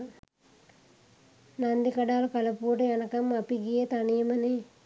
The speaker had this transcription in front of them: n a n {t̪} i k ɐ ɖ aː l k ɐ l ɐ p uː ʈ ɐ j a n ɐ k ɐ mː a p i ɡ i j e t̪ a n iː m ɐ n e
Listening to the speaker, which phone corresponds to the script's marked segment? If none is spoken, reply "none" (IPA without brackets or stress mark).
d̪